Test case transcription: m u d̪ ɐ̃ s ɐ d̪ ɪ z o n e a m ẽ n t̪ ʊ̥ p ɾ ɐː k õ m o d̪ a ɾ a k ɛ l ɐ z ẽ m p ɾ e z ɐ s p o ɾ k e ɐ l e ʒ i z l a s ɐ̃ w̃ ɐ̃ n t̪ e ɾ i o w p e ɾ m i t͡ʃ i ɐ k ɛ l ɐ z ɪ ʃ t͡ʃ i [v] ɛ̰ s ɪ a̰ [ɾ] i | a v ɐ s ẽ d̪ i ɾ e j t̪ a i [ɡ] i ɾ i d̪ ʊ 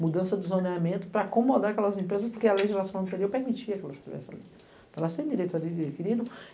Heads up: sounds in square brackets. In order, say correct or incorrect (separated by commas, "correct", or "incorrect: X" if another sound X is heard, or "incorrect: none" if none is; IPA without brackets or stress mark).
correct, incorrect: l, incorrect: k